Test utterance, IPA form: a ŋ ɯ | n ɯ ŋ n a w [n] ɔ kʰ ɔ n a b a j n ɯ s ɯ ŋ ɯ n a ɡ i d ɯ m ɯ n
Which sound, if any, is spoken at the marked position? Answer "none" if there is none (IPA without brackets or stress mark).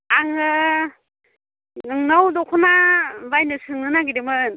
d